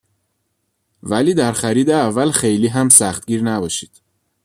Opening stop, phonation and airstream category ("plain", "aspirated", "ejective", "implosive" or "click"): plain